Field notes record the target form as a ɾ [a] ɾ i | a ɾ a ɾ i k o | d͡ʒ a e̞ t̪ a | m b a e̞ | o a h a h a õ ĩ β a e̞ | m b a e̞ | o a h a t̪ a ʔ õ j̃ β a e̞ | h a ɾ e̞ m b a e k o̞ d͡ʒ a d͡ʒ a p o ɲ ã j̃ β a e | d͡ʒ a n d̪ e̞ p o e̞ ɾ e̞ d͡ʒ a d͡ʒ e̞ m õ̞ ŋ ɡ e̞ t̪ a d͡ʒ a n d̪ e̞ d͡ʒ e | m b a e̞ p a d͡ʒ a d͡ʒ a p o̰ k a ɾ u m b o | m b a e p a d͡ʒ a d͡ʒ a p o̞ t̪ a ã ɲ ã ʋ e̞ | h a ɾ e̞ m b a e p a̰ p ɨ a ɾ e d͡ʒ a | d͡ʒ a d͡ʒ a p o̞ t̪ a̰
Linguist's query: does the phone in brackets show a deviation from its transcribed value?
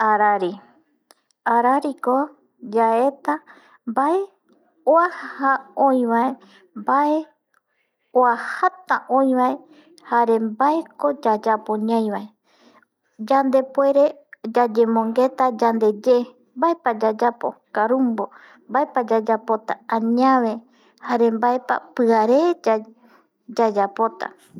no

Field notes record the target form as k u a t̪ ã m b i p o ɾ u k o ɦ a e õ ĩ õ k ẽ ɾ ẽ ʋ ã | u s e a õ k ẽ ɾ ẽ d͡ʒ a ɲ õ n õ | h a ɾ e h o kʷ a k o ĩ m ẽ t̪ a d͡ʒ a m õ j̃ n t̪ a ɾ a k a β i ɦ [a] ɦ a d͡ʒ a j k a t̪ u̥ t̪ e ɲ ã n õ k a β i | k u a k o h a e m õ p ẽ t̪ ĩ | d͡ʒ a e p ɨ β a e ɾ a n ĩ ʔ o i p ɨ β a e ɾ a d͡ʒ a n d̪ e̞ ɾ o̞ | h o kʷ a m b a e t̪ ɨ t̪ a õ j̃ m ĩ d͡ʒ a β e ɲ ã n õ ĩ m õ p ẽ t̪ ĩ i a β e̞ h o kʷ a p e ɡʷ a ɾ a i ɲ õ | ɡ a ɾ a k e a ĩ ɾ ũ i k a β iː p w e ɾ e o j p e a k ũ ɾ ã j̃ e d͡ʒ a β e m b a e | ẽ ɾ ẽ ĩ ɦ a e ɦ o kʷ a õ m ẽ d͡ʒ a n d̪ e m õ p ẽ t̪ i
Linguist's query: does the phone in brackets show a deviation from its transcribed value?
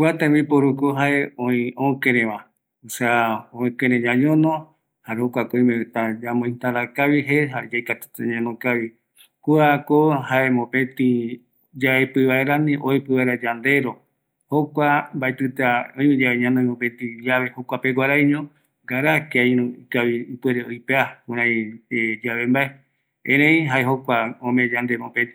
yes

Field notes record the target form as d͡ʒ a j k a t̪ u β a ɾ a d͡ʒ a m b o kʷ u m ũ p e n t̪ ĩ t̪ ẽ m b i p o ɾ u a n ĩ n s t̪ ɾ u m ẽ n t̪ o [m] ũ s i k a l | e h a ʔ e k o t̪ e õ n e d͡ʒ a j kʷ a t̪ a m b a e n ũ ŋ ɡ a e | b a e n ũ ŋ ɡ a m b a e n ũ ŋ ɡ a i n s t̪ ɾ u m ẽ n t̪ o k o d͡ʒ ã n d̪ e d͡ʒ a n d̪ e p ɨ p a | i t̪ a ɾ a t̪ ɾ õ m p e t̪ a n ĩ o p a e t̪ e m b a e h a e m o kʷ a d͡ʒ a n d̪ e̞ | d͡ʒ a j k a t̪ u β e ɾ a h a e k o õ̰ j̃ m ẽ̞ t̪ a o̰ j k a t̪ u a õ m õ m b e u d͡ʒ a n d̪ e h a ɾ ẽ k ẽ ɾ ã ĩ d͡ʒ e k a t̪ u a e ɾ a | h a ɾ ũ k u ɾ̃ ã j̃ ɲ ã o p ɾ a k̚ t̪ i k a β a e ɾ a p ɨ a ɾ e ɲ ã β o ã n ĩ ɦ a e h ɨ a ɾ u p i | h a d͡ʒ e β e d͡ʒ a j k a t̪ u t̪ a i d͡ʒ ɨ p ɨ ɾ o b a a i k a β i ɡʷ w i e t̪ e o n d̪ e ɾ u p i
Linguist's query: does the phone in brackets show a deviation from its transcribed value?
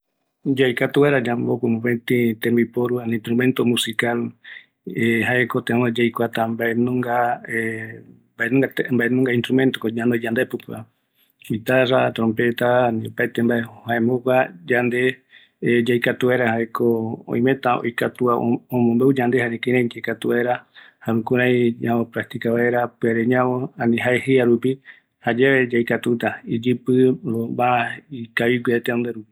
no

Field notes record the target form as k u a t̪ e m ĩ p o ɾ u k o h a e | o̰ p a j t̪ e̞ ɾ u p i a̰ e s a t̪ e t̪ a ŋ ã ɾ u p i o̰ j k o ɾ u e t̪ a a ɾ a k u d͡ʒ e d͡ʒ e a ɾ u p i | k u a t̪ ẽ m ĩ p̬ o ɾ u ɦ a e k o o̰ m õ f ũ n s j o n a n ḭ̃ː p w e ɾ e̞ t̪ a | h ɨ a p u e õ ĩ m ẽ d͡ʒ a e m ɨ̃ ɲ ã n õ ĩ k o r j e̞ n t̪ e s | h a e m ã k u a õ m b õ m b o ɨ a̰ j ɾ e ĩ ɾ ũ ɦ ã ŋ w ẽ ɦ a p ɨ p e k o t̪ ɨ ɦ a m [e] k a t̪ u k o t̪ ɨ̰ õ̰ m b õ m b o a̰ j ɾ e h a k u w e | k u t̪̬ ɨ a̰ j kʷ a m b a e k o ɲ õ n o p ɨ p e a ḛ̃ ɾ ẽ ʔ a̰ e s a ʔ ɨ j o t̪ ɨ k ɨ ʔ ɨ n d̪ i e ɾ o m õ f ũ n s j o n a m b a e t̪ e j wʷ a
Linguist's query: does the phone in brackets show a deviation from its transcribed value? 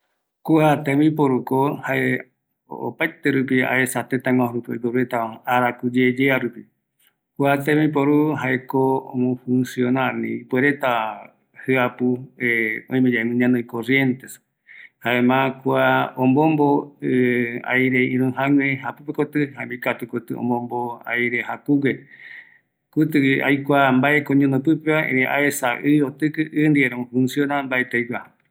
yes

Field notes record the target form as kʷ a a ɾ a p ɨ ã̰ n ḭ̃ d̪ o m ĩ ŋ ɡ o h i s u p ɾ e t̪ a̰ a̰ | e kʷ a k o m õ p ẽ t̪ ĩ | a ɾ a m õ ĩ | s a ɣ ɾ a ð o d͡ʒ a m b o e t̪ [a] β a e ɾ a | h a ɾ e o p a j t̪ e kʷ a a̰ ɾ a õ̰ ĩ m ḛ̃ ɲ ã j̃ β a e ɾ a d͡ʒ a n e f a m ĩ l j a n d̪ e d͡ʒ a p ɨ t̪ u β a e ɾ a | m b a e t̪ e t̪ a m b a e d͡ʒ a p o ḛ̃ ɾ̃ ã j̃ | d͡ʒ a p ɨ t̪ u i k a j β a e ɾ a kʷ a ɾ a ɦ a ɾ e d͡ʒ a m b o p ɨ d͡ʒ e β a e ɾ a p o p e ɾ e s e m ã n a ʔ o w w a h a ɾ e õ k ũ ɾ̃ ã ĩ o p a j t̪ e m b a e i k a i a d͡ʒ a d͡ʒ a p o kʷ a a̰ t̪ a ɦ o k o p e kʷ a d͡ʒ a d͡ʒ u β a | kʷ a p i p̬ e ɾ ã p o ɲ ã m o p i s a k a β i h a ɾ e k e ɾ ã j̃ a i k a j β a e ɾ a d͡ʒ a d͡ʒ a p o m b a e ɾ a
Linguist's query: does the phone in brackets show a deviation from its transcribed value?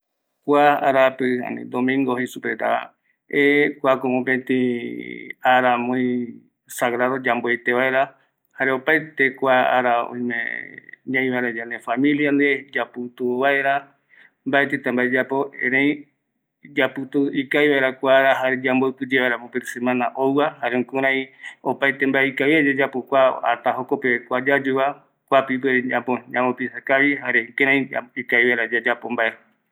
yes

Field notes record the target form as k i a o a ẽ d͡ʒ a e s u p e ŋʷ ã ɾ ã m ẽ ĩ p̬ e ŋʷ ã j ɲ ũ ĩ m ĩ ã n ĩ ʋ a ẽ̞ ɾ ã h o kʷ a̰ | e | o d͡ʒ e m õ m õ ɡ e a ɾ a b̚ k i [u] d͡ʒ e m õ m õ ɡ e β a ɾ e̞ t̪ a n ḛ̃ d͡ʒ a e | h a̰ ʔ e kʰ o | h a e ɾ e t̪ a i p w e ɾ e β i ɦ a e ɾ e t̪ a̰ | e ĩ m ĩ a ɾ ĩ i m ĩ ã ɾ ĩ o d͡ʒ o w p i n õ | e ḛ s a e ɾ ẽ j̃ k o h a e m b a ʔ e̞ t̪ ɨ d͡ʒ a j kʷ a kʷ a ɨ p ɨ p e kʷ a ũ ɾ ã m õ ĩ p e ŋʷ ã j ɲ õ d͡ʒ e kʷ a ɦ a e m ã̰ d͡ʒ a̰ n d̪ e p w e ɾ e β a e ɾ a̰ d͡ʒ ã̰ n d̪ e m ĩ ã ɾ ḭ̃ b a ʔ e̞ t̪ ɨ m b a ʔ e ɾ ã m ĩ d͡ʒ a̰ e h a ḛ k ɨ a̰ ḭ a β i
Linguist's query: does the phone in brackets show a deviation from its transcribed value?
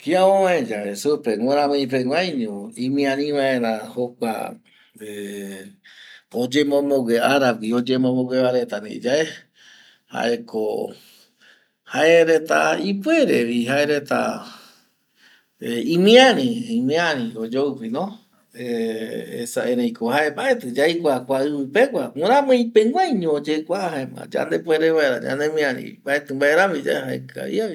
yes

